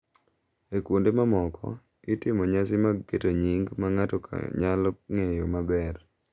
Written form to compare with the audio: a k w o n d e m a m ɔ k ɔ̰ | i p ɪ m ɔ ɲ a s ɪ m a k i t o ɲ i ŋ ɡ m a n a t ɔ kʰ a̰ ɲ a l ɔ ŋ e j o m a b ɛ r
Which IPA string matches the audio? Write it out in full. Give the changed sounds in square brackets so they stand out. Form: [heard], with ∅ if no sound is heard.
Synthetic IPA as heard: [e] k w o n d e m a m ɔ k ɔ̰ | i [t] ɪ m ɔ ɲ a s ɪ m a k [e] t o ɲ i ŋ ɡ m a [ŋ] a t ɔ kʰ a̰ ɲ a l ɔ ŋ e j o m a b ɛ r